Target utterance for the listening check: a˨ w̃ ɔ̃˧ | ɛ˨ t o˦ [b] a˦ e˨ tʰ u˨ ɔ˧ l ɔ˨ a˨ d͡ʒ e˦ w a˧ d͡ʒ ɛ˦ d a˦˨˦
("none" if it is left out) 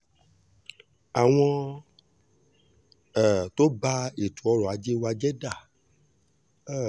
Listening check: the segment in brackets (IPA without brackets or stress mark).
b